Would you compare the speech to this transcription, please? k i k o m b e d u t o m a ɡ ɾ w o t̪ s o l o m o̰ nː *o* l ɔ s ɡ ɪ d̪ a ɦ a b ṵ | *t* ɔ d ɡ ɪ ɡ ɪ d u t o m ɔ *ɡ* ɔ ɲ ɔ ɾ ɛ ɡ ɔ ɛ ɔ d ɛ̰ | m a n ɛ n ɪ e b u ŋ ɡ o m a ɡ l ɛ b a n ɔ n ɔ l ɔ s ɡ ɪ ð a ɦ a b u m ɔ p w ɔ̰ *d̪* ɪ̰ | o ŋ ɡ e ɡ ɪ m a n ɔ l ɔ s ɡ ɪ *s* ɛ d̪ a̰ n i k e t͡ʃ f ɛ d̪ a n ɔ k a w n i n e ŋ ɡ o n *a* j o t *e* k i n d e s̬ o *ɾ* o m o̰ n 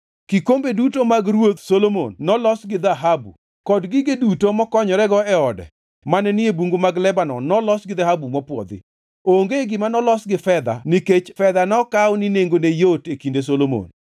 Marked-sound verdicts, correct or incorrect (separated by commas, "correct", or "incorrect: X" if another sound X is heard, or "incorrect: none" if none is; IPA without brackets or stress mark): incorrect: ɔ, incorrect: k, incorrect: k, correct, incorrect: f, incorrect: e, correct, incorrect: l